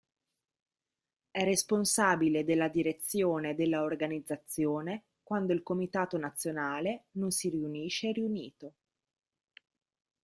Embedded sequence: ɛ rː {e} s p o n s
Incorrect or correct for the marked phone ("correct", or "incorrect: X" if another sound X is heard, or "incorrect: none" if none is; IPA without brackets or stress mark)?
correct